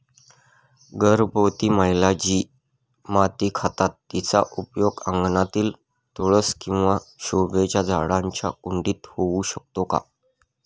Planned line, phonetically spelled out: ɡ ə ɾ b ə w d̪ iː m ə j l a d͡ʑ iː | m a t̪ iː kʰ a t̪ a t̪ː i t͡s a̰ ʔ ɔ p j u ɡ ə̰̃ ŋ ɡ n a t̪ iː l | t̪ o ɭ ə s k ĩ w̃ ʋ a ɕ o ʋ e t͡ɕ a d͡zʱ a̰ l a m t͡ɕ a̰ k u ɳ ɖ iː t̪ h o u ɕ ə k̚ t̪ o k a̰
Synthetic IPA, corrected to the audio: ɡ ə ɾ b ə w t̪ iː m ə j l a d͡ʑ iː | m a t̪ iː kʰ a t̪ a t̪ː i t͡s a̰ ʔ u p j o ɡ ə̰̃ ŋ ɡ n a t̪ iː l | t̪ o ɭ ə s k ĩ w̃ ʋ a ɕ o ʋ e t͡ɕ a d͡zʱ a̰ ɽ a ɲ t͡ɕ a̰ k u ɳ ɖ iː t̪ h o u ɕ ə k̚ t̪ o k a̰